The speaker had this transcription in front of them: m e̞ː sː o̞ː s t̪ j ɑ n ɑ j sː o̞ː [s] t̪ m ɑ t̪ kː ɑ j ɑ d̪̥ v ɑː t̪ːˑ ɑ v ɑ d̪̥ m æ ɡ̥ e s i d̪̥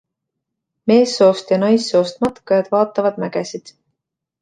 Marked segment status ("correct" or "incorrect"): correct